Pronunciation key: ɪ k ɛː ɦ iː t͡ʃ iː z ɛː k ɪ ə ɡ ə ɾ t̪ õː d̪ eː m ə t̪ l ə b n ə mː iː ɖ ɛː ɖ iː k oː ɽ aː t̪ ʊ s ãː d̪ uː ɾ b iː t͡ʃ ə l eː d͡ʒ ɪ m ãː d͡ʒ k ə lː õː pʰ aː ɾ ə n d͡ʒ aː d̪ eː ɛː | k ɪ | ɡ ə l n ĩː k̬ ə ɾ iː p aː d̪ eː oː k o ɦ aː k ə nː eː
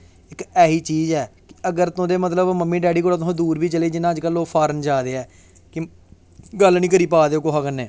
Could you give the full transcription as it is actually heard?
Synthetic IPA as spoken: ɪ k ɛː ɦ iː t͡ʃ iː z ɛː k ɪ ə ɡ ə ɾ t̪ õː d̪ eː m ə t̪ l ə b m ə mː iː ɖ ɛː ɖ iː k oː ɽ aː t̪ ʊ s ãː d̪ uː ɾ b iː t͡ʃ ə l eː d͡ʒ ɪ n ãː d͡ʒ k ə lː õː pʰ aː ɾ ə n d͡ʒ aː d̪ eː ɛː | k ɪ | ɡ ə l n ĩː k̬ ə ɾ iː p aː d̪ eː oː k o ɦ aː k ə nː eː